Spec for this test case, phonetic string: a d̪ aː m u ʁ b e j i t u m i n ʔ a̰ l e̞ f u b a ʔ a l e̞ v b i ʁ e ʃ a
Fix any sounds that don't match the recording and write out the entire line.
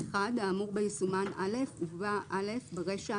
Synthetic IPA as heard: a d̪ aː m u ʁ b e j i s u m a n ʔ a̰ l e̞ f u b a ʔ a l e̞ f b e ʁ e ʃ a